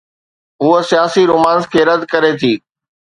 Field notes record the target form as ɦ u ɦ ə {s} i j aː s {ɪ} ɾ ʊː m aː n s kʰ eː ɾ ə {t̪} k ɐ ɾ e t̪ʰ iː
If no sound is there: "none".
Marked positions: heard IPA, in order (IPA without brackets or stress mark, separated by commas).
s, i, d̪